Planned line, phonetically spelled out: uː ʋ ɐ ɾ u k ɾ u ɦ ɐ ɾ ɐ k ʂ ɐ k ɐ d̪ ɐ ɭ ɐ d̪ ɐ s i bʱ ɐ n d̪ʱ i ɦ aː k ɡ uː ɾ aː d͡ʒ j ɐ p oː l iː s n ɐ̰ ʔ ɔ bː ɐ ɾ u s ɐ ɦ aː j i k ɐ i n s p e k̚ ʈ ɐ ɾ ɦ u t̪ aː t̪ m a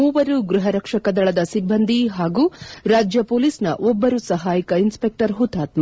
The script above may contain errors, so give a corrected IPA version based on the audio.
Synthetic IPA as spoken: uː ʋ ɐ ɾ u ɡ ɾ u ɦ ɐ ɾ ɐ k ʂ ɐ k ɐ d̪ ɐ ɭ ɐ d̪ ɐ s i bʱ ɐ n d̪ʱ i ɦ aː ɡ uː ɾ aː d͡ʒ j ɐ p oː l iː s n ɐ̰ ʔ ɔ bː ɐ ɾ u s ɐ ɦ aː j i k ɐ i n s p e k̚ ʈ ɐ ɾ ɦ u t̪ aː t̪ m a